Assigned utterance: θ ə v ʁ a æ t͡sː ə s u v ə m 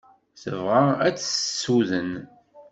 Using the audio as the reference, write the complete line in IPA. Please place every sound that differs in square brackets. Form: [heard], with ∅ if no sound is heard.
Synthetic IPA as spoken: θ ə v ʁ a æ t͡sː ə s u [ð] ə [n]